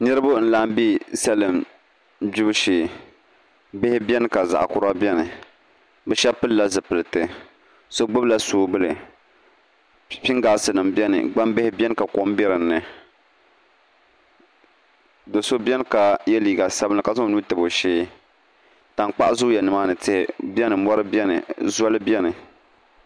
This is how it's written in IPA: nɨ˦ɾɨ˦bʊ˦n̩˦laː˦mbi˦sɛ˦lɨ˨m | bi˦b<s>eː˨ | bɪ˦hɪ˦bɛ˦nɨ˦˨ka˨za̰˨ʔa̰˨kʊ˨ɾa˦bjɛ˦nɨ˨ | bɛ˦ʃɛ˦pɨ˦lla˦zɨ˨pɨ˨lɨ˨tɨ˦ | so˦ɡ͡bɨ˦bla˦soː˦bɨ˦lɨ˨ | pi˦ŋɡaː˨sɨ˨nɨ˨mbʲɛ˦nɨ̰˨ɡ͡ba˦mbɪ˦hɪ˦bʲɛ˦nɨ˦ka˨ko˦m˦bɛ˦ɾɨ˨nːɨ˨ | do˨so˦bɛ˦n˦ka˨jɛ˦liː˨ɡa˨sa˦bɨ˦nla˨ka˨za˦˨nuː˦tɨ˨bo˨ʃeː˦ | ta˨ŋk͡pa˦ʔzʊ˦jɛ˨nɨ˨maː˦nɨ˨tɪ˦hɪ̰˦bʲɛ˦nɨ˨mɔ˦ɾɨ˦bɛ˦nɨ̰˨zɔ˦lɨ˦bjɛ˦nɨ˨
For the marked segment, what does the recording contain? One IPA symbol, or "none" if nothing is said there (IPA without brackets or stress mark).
ʃ